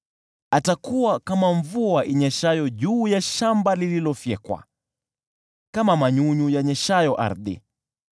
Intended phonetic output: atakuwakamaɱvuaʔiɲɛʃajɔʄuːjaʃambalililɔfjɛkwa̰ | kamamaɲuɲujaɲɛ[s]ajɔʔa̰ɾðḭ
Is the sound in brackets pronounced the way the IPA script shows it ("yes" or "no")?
no